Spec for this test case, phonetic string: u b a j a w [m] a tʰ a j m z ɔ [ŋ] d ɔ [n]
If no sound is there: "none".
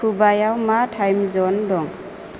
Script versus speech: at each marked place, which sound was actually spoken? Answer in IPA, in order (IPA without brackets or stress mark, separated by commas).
m, n, ŋ